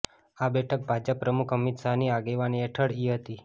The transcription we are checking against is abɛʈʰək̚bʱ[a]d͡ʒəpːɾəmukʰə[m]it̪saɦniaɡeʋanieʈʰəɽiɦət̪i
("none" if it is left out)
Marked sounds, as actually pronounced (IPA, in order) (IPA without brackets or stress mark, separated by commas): a, m